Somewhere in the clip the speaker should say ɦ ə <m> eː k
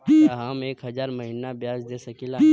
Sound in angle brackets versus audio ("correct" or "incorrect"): correct